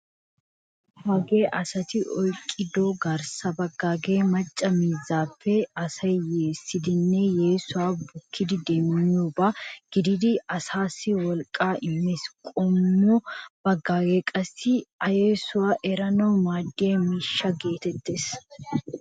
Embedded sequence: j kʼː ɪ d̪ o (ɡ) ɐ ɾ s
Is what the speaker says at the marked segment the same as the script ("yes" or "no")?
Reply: yes